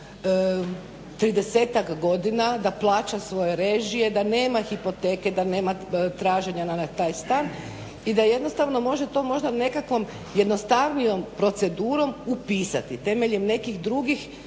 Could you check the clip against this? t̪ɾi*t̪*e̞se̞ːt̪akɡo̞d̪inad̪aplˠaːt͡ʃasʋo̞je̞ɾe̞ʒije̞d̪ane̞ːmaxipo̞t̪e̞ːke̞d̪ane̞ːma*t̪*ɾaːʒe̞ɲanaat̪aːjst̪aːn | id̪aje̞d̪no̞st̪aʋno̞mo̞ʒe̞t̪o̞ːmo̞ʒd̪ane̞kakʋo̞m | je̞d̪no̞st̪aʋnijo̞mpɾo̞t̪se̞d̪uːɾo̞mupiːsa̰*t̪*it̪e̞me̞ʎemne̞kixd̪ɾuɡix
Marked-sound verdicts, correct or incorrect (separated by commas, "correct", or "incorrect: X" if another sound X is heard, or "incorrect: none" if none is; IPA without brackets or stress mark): incorrect: d̪, correct, correct